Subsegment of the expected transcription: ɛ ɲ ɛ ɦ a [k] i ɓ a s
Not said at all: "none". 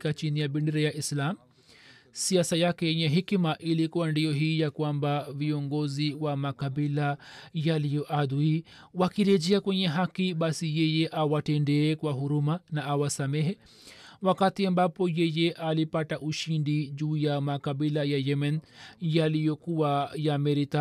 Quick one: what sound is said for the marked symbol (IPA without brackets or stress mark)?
k